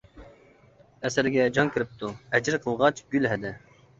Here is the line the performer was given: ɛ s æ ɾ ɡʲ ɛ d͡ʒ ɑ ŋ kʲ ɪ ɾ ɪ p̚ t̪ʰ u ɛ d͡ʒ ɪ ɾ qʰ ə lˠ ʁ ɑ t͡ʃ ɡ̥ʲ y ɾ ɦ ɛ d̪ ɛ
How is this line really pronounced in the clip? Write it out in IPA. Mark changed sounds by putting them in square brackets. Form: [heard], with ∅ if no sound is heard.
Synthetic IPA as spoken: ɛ s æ ɾ ɡʲ ɛ d͡ʒ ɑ ŋ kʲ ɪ ɾ ɪ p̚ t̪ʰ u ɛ d͡ʒ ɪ ɾ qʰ ə lˠ ʁ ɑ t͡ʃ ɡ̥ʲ y [l] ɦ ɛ d̪ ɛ